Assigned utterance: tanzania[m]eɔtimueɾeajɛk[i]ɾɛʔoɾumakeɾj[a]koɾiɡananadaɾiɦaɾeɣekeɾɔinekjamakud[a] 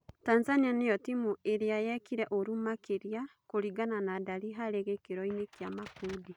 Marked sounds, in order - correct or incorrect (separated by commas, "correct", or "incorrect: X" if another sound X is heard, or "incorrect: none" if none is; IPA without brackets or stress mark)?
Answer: incorrect: n, correct, correct, incorrect: i